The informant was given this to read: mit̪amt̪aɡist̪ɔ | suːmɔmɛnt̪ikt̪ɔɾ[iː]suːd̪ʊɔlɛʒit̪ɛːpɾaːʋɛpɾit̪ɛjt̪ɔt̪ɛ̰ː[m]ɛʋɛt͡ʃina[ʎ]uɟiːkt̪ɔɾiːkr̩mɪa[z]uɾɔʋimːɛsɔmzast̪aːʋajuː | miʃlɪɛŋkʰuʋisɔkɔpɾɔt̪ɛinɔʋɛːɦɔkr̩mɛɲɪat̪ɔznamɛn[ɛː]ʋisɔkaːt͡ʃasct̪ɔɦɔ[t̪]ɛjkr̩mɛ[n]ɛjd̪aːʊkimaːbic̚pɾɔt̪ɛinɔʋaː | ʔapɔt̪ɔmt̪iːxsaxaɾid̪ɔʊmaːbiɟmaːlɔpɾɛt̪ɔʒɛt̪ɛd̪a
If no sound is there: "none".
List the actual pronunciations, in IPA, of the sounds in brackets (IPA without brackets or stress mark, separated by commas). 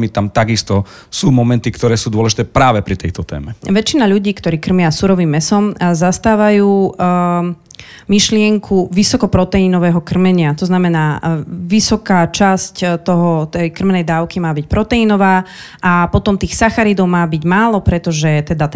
ɛː, m, ʎ, s, aː, t̪, n